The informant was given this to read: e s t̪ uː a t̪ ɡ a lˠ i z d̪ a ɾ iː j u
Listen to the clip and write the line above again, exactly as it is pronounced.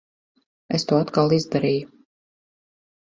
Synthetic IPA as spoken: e s t̪ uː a t̪ k a lˠ i z d̪ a ɾ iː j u